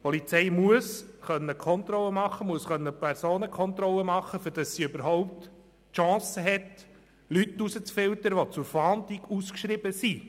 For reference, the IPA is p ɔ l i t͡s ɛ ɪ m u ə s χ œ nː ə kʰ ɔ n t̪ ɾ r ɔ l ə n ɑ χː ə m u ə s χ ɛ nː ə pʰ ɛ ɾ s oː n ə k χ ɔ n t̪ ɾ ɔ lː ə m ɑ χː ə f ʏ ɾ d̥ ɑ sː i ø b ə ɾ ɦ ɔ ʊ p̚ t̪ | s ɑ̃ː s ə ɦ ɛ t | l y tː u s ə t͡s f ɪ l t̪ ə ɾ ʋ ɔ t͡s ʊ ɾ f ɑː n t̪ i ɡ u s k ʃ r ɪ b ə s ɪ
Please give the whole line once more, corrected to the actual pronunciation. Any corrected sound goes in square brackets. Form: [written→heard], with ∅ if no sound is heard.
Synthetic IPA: p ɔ l i t͡s ɛ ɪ m u ə s χ œ nː ə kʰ ɔ n t̪ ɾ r ɔ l ə [n→m] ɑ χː ə m u ə s χ [ɛ→œ] nː ə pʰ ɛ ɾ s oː n ə k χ ɔ n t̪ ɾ ɔ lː ə m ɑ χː ə f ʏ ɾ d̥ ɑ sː i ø b ə ɾ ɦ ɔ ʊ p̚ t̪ | [s→ʃ] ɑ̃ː s ə ɦ ɛ t | l y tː u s ə t͡s f ɪ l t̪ ə ɾ ʋ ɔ t͡s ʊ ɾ f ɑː n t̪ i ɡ u s k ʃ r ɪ b ə s [ɪ→i]